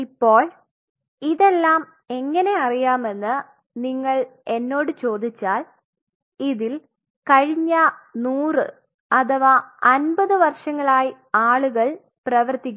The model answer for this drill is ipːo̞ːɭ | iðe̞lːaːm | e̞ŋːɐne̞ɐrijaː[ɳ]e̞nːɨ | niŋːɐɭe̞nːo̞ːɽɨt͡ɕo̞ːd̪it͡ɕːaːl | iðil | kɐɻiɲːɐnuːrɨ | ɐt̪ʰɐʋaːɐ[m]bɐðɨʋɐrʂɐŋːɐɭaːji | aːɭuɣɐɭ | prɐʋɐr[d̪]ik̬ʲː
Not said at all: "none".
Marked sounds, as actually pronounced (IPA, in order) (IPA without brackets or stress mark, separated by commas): m, n, t̪